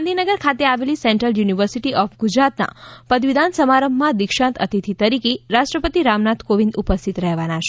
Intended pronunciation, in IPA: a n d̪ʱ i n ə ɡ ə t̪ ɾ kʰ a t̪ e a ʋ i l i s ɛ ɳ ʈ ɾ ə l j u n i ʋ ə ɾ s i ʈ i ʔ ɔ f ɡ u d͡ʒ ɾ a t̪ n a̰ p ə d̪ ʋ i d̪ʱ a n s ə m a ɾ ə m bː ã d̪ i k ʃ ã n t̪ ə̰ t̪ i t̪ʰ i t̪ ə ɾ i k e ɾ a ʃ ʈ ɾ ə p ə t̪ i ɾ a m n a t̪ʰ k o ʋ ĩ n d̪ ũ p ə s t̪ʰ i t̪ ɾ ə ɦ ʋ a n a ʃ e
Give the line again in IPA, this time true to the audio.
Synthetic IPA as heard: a n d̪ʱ i n ə ɡ ə ɾ kʰ a t̪ e a ʋ e l i s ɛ ɳ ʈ ɾ ə l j u n i ʋ ə ɾ s i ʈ i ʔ ɔ f ɡ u d͡ʒ ɾ a t̪ n a̰ p ə d̪ ʋ i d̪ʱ a n s ə m a ɾ ə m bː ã d̪ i k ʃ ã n t̪ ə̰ t̪ i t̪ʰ i t̪ ə ɾ i k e ɾ a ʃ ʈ ɾ ə p ə t̪ i ɾ a m n a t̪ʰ k o ʋ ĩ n d̪ u p ə s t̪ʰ i t̪ ɾ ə ɦ ʋ a n a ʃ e